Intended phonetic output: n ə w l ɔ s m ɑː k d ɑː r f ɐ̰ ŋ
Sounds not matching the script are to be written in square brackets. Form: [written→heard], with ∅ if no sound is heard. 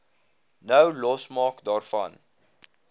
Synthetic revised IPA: n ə w l ɔ s m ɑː k d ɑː r f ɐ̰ [ŋ→n]